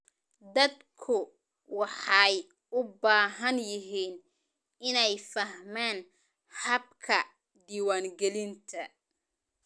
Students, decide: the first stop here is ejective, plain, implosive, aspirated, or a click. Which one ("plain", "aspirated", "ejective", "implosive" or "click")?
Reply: plain